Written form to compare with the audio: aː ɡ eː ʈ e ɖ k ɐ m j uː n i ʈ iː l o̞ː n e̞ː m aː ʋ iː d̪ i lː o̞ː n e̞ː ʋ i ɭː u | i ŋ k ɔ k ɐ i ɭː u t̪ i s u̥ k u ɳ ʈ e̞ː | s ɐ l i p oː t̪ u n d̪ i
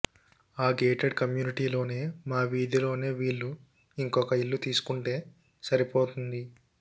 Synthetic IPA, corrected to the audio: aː ɡ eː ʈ e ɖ k ɐ m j uː n i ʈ iː l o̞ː n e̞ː m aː ʋ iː d̪ i l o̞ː n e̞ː ʋ iː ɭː u | i ŋ k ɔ k ɐ i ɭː u t̪ iː s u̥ k u ɳ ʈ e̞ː | s ɐ ɾ i p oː t̪ u n d̪ i